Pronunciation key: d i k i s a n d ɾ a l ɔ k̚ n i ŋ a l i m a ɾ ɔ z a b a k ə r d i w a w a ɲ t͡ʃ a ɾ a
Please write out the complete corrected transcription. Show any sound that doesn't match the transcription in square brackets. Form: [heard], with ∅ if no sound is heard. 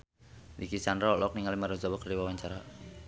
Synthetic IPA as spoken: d i k i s a n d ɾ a l ɔ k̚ n i ŋ a l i m a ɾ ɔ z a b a k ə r d i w a w a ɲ t͡ʃ a ɾ a